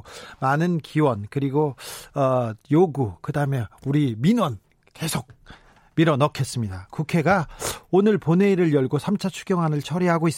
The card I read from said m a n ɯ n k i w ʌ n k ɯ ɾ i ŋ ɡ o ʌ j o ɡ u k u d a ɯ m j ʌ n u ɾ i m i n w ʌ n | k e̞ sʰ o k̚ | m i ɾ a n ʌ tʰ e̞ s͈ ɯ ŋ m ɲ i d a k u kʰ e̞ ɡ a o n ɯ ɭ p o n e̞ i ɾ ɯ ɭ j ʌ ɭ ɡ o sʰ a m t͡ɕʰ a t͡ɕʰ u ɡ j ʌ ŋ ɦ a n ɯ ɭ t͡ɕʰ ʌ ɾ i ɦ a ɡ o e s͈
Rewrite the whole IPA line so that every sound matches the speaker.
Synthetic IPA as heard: m a n ɯ n k i w ʌ n k ɯ ɾ i ɡ o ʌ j o ɡ u k ɯ d a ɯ m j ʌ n u ɾ i m i n w ʌ n | k e̞ sʰ o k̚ | m i ɾ ʌ n ʌ kʰ e̞ s͈ ɯ m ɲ i d a k u kʰ e̞ ɡ a o n ɯ ɭ p o n e̞ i ɾ ɯ ɭ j ʌ ɭ ɡ o sʰ a m t͡ɕʰ a t͡ɕʰ u ɡ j ʌ ŋ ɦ a n ɯ ɭ t͡ɕʰ ʌ ɾ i ɦ a ɡ o i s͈